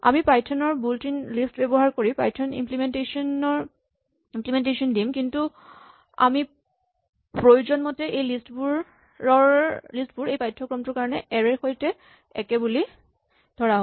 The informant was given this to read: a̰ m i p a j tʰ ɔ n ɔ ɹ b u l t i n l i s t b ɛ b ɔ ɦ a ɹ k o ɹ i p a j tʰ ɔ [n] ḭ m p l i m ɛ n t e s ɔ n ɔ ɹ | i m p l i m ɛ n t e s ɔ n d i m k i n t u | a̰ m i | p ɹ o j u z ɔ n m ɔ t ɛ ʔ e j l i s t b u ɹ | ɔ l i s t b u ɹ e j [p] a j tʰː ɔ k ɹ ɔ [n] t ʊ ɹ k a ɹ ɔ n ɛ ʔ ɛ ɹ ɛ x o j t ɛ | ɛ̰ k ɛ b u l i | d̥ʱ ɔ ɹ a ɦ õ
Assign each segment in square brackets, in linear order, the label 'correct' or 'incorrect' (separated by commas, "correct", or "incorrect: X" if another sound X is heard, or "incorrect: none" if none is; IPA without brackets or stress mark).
correct, correct, incorrect: m